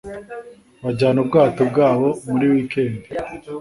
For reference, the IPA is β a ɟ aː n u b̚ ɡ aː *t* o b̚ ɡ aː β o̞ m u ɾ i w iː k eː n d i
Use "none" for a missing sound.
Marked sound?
t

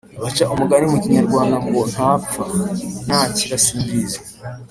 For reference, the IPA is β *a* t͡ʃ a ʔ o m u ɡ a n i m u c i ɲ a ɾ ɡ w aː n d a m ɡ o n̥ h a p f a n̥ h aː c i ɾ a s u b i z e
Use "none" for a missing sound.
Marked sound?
a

